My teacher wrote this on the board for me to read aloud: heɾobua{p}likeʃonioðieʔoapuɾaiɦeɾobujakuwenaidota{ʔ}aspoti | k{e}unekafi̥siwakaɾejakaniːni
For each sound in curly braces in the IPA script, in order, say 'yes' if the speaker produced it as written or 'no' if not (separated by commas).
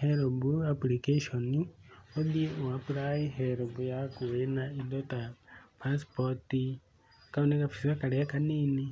yes, no, no